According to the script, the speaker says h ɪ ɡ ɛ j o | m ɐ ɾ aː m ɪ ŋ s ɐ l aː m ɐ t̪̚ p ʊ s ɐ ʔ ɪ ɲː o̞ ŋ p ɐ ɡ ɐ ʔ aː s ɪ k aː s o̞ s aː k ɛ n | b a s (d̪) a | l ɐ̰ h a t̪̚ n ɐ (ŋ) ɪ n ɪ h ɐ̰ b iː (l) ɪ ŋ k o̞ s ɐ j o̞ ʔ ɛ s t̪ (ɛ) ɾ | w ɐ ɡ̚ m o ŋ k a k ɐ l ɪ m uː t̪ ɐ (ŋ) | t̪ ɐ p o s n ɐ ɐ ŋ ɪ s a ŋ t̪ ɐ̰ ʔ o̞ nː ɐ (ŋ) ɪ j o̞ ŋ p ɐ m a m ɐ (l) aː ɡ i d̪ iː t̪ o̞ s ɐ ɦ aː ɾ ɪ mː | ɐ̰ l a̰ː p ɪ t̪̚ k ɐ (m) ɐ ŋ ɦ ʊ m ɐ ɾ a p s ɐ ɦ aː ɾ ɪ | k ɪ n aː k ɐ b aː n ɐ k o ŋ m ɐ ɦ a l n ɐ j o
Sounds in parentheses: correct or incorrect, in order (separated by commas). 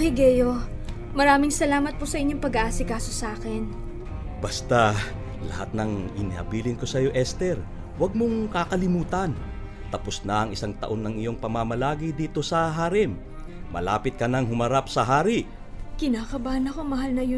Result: incorrect, correct, correct, correct, incorrect, correct, correct, incorrect